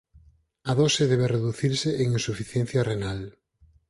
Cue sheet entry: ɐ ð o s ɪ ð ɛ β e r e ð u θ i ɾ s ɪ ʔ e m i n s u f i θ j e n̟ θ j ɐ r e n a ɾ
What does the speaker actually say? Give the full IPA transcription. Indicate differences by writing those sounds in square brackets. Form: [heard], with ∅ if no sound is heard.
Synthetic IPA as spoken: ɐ ð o s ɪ ð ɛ β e r e ð u θ i ɾ s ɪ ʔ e [ŋ] i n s u f i θ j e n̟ θ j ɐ r e n a [l]